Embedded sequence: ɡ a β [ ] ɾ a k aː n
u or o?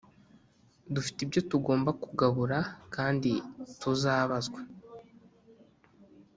u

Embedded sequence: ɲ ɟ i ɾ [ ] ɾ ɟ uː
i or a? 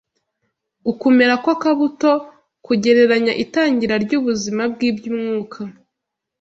a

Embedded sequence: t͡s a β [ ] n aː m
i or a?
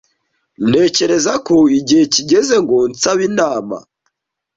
i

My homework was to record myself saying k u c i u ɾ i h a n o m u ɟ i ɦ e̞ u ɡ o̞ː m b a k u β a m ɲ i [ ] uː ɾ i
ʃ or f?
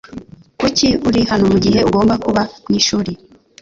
ʃ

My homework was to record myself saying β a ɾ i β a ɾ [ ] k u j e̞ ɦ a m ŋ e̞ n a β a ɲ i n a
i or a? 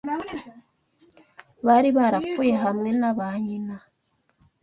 a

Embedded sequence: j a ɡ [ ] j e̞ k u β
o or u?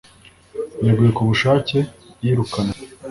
u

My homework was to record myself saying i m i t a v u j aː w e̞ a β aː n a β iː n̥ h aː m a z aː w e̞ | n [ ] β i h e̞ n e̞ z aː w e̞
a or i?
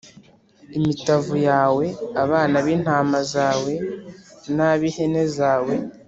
a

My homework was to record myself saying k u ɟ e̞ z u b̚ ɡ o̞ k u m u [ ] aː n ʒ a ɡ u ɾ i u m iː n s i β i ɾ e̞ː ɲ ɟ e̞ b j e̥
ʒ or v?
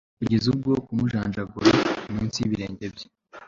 ʒ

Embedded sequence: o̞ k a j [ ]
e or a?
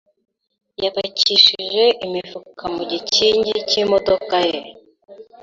e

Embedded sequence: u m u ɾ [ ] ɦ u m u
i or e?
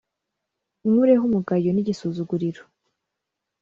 e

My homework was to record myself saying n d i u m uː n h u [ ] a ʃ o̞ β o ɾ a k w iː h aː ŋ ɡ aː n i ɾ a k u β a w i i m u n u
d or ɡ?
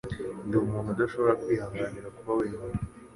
d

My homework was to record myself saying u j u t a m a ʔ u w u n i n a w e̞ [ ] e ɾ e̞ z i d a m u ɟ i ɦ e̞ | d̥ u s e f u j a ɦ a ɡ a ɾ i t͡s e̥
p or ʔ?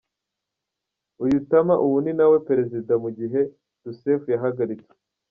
p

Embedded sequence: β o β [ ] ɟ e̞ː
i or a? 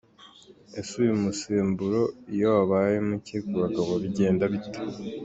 i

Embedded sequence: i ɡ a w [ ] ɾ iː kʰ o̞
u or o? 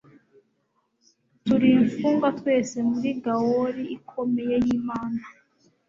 o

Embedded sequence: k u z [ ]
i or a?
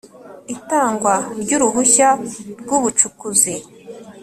i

